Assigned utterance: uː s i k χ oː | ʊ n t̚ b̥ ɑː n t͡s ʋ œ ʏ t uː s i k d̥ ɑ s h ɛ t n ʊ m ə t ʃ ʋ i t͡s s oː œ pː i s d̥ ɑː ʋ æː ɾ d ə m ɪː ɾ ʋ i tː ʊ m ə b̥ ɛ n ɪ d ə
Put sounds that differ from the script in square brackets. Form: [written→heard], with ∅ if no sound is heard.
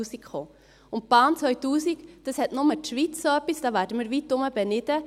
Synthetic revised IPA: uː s i k χ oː | ʊ n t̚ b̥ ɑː n t͡s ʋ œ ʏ t uː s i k d̥ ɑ s h ɛ t n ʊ m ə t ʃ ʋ i t͡s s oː œ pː i s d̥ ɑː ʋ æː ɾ d ə m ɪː ɾ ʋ i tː ʊ m ə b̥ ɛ n ɪ d ə